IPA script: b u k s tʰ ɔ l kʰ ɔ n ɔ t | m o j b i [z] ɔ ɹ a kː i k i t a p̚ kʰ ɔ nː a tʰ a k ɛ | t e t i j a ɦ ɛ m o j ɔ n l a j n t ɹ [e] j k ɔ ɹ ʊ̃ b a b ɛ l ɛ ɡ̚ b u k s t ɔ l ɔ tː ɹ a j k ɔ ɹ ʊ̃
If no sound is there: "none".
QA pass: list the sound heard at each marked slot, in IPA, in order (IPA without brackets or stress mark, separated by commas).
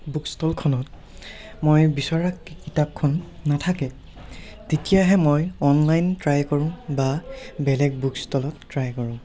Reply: s, a